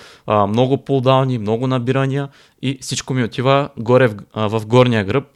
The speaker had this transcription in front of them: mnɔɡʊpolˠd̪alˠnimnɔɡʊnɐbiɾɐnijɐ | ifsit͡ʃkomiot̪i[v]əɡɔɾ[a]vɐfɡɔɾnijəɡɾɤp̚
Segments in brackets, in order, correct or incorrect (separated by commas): correct, incorrect